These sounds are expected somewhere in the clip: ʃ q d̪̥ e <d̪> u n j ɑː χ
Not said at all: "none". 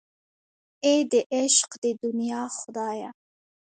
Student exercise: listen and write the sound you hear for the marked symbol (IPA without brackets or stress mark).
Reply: d̪